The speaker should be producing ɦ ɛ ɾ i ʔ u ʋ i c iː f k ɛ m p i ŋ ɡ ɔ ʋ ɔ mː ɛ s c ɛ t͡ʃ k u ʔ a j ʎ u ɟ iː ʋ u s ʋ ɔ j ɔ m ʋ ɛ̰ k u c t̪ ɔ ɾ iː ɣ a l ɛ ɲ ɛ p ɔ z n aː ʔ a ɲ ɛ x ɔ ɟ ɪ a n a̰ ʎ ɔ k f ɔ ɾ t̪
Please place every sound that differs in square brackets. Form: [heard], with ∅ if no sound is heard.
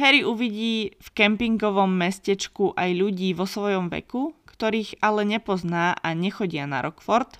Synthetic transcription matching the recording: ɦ ɛ ɾ i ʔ u ʋ i [ɟ] iː f k ɛ m p i ŋ ɡ ɔ ʋ ɔ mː ɛ s c ɛ t͡ʃ k u ʔ a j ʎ u ɟ iː ʋ [ɔ] s ʋ ɔ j ɔ m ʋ ɛ̰ k u [k] t̪ ɔ ɾ iː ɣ a l ɛ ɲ ɛ p ɔ z n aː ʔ a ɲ ɛ x ɔ ɟ ɪ a n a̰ [ɾ] ɔ k f ɔ ɾ t̪